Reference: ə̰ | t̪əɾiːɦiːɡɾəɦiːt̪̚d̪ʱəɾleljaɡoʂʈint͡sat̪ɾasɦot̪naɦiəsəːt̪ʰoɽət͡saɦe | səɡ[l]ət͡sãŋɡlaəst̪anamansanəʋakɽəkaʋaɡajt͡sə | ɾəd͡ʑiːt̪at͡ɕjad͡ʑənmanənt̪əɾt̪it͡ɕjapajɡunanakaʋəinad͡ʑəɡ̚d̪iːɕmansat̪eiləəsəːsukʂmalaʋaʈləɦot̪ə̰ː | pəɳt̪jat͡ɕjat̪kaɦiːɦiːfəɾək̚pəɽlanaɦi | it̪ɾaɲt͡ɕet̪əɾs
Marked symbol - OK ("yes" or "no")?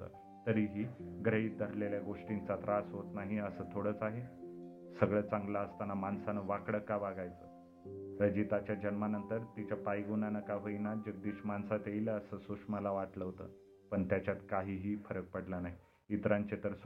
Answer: no